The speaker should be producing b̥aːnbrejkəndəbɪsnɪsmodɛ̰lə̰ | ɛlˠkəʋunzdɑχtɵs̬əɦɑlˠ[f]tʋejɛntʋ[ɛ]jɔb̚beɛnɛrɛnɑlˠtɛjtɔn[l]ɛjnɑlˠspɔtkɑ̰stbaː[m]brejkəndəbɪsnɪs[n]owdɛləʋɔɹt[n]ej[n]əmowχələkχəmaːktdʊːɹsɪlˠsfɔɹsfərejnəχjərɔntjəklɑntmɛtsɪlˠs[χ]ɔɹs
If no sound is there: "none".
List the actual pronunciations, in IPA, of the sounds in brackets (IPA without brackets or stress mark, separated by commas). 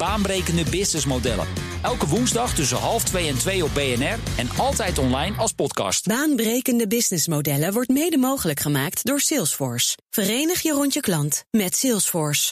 f, e, l, n, m, m, d, f